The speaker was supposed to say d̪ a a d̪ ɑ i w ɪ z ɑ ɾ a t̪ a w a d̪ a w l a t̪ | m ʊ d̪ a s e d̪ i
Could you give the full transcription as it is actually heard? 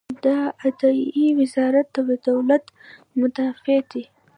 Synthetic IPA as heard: d̪ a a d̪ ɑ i w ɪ z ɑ ɾ a t̪ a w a d̪ a w l a t̪ | m ʊ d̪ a f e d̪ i